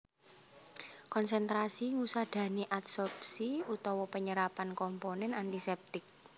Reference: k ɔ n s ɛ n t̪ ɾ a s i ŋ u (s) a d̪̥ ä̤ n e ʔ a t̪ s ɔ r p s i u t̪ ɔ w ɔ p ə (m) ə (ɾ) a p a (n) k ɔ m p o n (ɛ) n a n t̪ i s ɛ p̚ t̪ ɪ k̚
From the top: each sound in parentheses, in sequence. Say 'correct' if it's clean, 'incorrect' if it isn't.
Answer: correct, incorrect, correct, correct, correct

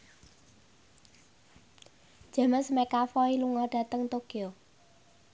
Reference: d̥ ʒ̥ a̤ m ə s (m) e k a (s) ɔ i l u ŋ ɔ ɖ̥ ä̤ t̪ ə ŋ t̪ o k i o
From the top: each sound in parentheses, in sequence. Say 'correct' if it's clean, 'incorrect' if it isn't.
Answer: correct, incorrect

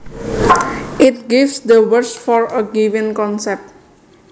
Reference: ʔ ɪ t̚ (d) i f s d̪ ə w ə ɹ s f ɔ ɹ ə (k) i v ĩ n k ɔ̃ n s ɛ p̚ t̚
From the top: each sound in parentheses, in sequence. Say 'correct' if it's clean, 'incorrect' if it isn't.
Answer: incorrect, incorrect

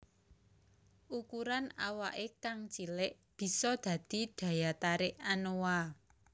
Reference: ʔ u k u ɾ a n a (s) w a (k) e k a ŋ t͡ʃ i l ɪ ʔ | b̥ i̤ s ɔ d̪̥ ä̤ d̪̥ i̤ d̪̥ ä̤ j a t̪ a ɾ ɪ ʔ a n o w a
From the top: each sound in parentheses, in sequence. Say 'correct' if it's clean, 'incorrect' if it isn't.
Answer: incorrect, incorrect

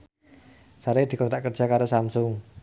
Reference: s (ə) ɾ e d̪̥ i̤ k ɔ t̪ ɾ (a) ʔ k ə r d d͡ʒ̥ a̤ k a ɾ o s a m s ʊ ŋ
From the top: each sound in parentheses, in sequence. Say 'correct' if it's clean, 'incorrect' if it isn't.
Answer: incorrect, correct

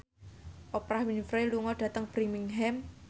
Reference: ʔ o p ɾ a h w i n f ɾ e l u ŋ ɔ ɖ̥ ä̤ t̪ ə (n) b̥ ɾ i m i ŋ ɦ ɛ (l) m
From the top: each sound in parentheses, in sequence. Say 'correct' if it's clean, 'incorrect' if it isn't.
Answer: incorrect, incorrect

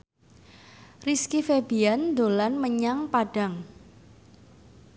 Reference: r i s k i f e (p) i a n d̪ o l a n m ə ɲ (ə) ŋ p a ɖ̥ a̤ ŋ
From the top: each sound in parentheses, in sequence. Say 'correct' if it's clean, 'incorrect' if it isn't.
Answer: incorrect, incorrect

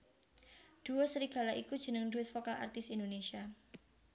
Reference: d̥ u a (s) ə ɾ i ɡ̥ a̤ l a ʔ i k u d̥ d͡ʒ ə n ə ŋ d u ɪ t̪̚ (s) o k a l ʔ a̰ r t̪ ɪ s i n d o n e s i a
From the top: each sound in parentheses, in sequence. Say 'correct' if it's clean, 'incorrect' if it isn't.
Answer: correct, incorrect

